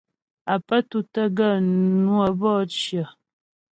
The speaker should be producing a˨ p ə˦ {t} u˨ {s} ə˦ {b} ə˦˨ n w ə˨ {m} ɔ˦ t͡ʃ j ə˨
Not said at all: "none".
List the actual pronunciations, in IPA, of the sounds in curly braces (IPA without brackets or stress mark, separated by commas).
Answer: t, t, ɡ, b